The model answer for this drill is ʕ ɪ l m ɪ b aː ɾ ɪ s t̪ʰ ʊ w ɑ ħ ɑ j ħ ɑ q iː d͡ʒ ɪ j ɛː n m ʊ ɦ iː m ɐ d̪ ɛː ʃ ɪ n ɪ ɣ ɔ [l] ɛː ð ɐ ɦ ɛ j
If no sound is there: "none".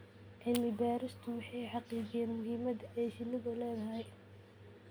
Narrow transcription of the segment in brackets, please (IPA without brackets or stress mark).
l